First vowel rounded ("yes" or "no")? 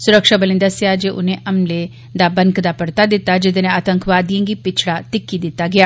yes